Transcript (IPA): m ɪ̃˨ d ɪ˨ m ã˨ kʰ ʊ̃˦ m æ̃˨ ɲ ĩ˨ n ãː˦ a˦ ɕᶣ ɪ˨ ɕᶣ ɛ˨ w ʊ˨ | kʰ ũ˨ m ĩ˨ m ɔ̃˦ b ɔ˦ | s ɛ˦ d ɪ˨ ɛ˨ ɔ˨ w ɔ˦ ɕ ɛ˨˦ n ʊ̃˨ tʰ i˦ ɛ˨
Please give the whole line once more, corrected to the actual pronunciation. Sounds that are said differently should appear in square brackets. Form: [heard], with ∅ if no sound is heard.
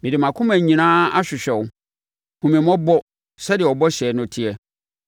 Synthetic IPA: m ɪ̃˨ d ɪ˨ m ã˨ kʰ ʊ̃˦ m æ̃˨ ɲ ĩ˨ n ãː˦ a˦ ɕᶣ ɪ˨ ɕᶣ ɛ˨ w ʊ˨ | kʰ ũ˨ m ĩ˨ m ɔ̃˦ b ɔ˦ | s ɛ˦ d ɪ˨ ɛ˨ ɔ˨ [b] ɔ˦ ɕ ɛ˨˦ n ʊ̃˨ tʰ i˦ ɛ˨